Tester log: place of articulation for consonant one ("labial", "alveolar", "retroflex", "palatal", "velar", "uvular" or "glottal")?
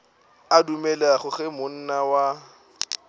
alveolar